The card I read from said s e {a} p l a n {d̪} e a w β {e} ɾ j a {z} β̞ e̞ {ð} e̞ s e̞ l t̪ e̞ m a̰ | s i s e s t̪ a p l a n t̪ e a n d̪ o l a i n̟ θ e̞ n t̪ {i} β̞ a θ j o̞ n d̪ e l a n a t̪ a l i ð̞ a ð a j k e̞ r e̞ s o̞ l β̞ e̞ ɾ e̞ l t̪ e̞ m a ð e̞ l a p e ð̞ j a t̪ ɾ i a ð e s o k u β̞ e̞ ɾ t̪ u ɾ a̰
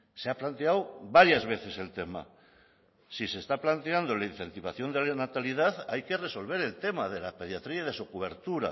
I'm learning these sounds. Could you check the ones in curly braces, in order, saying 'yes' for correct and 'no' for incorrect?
yes, no, no, yes, no, yes

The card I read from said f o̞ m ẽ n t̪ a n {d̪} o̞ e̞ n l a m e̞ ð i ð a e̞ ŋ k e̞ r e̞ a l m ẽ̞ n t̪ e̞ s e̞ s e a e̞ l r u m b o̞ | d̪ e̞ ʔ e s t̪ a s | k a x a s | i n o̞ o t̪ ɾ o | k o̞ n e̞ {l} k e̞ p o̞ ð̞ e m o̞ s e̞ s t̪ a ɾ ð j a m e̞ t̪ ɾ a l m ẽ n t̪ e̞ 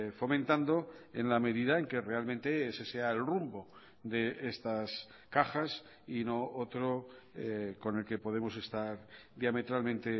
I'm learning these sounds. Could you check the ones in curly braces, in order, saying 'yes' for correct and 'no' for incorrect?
yes, yes

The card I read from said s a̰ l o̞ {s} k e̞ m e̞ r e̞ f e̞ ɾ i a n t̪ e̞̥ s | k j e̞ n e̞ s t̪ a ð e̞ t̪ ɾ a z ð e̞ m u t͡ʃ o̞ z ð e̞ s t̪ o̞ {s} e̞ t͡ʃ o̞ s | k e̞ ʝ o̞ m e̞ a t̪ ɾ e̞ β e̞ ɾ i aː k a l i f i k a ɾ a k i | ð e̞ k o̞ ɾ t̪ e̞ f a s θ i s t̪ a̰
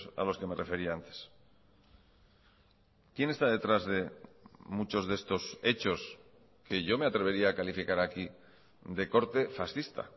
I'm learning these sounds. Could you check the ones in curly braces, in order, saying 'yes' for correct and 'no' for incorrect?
yes, yes

